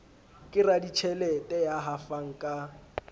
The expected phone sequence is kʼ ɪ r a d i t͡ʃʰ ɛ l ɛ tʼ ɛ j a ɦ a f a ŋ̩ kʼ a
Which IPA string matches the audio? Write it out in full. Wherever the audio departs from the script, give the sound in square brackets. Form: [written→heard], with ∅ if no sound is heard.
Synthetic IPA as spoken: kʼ ɪ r a d i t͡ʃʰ ɛ l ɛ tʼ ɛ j a ɦ a f a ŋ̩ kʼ a